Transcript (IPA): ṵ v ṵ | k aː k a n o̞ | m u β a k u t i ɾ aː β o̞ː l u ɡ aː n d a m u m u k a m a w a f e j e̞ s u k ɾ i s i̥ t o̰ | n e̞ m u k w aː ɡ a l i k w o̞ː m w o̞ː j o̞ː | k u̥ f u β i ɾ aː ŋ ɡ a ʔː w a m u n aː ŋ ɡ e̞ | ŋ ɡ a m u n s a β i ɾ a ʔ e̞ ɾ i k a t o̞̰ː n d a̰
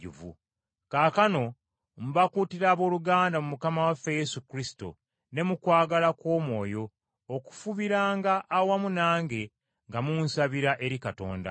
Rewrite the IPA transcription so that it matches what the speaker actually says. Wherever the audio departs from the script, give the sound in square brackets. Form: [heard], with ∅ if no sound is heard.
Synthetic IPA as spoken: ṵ v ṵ | k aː k a n o̞ | m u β a k u t i ɾ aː β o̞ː l u ɡ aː n d a m u m u k a m a w a f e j e̞ s u k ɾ i s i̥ t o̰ | n e̞ m u k w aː ɡ a l [a] k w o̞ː m w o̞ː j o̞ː | k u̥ f u β i ɾ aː ŋ ɡ a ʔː w a m u n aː ŋ ɡ e̞ | ŋ ɡ a m u n s a β i ɾ a ʔ e̞ ɾ i k a t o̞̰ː n d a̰